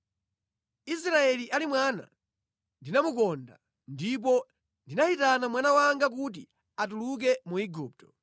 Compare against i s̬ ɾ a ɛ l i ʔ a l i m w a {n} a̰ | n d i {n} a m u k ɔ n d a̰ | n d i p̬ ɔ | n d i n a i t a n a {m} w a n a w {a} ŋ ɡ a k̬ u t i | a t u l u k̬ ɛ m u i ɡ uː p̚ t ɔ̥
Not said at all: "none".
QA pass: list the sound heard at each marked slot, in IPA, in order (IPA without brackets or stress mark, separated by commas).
n, n, m, a